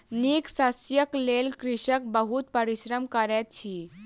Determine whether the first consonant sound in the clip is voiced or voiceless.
voiced